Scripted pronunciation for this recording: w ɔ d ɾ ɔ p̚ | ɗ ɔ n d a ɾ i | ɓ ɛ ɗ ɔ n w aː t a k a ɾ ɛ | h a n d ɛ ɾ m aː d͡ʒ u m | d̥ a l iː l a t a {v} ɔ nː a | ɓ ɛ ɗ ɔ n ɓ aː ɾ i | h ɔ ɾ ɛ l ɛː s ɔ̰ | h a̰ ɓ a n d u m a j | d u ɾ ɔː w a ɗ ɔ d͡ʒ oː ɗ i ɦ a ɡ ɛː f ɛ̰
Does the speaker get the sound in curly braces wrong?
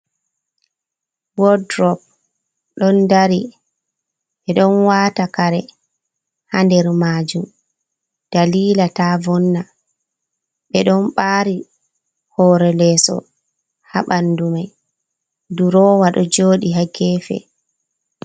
no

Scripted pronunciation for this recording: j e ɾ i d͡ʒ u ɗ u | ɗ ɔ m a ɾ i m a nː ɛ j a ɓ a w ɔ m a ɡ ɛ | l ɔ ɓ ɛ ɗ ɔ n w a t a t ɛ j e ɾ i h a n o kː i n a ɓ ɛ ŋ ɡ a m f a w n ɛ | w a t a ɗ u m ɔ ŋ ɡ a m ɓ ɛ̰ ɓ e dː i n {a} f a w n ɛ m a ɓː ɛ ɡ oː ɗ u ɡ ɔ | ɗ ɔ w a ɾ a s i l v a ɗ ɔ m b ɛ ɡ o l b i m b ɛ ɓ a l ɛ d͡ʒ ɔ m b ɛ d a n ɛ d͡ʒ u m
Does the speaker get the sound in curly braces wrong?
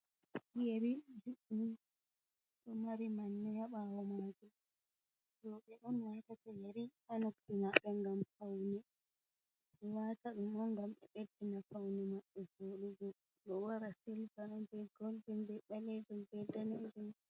no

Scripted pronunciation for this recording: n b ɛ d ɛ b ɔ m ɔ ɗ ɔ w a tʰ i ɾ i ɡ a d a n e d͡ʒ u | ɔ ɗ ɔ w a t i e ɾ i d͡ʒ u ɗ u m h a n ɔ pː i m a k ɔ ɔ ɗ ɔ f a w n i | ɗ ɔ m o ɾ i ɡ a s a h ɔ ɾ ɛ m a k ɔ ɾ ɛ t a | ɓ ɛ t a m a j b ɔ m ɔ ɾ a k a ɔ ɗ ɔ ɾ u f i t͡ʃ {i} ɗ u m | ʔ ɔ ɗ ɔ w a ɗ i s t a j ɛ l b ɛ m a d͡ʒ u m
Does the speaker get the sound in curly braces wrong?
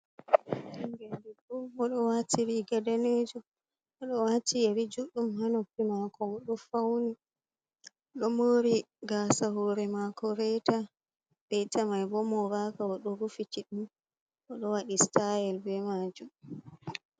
no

